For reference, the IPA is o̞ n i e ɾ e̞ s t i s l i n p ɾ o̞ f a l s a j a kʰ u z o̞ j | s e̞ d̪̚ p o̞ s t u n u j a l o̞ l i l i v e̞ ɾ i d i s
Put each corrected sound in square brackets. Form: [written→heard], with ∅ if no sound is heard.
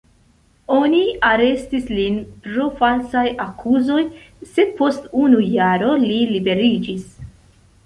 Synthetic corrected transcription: o̞ n i [e→a] ɾ e̞ s t i s l i n p ɾ o̞ f a l s a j a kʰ u z o̞ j | s e̞ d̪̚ p o̞ s t u n u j a [l→ɾ] o̞ l i l i [v→b] e̞ ɾ i [d→d͡ʒ] i s